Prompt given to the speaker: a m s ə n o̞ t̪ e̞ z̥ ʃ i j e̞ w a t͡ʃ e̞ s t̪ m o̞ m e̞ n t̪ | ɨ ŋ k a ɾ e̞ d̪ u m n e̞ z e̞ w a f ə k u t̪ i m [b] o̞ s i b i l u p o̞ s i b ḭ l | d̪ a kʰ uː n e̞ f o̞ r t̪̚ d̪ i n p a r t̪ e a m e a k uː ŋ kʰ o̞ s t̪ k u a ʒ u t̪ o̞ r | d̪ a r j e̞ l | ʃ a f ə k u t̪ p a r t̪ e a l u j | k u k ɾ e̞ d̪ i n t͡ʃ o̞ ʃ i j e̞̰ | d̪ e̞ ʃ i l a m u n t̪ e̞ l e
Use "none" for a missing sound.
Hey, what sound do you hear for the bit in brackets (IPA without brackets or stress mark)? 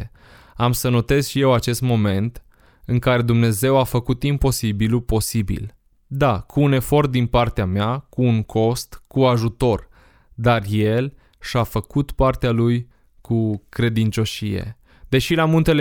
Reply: p